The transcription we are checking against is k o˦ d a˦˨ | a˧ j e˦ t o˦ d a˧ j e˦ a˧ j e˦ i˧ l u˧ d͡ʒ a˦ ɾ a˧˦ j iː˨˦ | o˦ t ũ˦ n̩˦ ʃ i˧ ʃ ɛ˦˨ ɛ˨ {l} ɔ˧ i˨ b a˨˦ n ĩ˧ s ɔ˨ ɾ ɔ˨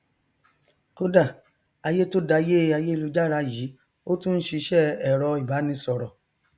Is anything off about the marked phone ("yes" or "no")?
yes